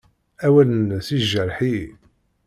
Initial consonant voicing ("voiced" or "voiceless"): voiced